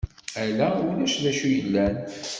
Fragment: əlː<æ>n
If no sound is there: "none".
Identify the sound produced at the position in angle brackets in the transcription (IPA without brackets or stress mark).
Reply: æ